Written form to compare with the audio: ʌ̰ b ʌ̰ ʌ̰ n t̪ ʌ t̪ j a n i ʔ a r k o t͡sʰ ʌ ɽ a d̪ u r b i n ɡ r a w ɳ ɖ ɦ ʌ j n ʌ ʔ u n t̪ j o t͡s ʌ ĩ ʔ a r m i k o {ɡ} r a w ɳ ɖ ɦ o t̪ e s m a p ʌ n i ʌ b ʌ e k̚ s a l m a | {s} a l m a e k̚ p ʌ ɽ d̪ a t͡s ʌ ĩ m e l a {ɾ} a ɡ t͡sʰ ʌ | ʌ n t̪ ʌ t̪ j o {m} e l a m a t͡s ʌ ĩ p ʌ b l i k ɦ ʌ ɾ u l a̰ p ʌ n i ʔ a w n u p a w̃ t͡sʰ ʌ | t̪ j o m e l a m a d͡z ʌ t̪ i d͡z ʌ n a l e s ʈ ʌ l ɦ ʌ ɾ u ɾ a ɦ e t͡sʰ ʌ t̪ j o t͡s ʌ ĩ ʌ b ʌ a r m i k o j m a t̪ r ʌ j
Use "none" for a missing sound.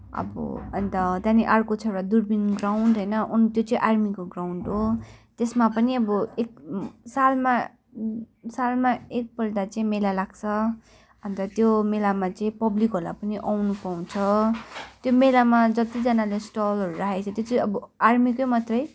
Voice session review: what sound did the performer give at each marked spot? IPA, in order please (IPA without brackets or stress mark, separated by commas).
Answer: ɡ, s, l, m